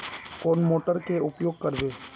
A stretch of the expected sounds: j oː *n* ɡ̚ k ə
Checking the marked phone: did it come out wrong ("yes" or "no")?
yes